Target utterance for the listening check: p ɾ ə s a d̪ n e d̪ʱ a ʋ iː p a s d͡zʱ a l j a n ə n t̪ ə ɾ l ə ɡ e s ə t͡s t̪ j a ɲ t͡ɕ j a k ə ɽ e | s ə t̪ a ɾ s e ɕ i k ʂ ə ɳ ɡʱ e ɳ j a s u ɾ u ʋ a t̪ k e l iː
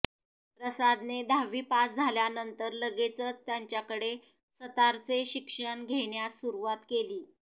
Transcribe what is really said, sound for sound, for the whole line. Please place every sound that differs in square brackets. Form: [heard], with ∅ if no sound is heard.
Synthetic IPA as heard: p ɾ ə s a d̪ n e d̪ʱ a ʋ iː p a s d͡zʱ a l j a n ə n t̪ ə ɾ l ə ɡ e [t͡s] ə t͡s t̪ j a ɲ t͡ɕ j a k ə ɽ e | s ə t̪ a ɾ [t͡s] e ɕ i k ʂ ə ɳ ɡʱ e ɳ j a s u ɾ u ʋ a t̪ k e l iː